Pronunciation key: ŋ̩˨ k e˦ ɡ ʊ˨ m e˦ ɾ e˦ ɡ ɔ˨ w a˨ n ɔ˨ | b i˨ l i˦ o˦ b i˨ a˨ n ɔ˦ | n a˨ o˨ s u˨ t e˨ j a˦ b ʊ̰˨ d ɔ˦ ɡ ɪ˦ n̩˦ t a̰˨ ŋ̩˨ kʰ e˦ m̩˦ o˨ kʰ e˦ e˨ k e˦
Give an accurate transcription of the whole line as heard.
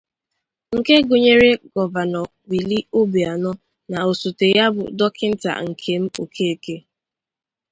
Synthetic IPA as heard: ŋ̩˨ k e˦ ɡ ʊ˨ ɲ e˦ ɾ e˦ ɡ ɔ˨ v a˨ n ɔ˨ | w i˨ l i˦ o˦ b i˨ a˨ n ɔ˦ | n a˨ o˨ s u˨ t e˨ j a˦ b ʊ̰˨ d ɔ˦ k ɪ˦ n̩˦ t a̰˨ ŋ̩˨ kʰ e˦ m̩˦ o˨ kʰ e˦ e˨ k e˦